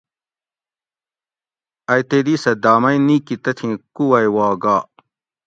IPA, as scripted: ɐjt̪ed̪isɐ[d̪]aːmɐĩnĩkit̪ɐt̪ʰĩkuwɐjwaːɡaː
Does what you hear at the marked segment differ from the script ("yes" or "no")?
no